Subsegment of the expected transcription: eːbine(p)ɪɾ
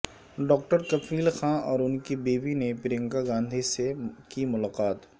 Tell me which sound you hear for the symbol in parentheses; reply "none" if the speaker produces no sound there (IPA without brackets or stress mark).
p